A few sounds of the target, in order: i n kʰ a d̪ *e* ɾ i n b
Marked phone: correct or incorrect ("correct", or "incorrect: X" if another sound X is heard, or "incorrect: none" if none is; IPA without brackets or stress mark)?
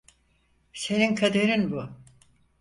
correct